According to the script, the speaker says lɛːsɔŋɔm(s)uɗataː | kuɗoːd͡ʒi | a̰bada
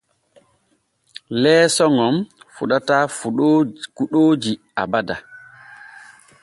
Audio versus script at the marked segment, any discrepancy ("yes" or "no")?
yes